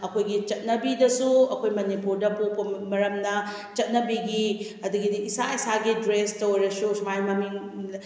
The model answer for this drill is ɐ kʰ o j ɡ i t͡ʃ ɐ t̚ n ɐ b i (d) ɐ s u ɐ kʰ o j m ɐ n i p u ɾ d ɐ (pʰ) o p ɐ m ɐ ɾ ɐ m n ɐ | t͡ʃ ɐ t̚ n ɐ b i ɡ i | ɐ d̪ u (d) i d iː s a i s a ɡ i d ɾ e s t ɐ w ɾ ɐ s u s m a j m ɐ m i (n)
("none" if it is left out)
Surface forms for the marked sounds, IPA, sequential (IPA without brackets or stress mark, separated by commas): d, p, ɡ, ŋ